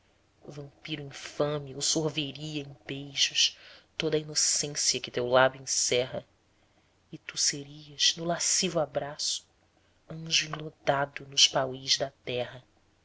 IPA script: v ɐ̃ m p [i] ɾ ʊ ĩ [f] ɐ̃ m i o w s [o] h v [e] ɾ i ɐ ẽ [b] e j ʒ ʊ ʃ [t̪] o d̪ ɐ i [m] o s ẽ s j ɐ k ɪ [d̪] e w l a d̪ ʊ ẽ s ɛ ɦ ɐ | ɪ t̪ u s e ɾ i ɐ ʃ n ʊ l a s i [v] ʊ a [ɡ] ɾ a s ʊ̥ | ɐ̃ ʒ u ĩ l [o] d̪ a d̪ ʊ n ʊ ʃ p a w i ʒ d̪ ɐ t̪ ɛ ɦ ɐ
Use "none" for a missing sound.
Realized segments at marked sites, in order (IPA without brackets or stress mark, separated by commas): i, f, o, e, b, t̪, n, t̪, v, b, o